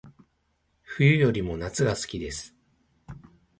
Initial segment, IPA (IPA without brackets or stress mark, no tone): ɸ